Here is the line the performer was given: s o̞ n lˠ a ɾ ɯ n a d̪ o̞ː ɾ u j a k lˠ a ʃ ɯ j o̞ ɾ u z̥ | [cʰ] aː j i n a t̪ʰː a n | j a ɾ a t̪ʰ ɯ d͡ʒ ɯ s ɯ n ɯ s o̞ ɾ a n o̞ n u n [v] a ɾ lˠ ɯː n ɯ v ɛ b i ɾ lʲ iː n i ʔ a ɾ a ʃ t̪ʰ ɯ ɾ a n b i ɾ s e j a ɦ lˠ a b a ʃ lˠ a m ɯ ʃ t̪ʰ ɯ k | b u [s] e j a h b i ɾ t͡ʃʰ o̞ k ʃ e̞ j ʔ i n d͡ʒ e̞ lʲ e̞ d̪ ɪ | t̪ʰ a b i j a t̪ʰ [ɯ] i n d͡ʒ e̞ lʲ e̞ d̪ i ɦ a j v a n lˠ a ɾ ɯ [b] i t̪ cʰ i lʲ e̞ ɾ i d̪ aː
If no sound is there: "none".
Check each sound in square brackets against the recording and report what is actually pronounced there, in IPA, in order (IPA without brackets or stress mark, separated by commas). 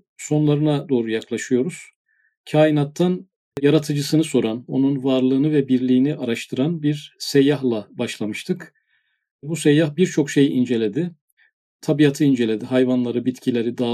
cʰ, v, s, ɯ, b